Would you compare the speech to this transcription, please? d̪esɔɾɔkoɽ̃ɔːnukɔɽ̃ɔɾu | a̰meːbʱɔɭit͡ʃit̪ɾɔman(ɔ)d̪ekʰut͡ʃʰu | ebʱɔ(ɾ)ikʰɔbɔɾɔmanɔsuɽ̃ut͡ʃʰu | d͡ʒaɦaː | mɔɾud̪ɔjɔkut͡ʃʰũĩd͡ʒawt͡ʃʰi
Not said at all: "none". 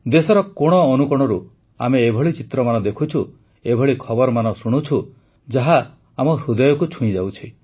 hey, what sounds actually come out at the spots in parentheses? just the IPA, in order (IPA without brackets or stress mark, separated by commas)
ɔ, ɭ